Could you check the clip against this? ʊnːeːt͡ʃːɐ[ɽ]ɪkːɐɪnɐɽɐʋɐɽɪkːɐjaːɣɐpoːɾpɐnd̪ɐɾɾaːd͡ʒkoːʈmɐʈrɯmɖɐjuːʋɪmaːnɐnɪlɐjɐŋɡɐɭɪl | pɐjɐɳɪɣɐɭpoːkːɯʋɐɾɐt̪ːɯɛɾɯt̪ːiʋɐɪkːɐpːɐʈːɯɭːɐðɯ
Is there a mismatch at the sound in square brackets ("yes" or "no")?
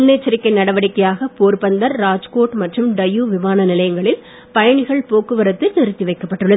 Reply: yes